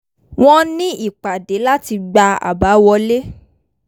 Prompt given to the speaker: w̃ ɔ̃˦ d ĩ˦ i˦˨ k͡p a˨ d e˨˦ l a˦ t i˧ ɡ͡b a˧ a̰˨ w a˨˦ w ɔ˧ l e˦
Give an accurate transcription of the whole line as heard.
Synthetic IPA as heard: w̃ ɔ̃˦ n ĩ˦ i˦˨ k͡p a˨ d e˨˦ l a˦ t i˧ ɡ͡b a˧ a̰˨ b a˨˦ w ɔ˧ l e˦